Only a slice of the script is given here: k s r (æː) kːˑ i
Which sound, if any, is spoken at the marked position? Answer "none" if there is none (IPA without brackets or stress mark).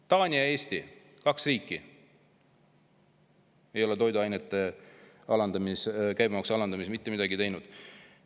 iː